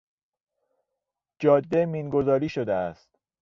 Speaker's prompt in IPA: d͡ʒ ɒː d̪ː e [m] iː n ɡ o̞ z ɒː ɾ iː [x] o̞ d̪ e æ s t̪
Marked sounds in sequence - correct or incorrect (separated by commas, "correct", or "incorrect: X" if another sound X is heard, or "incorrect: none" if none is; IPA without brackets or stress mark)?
correct, incorrect: ʃ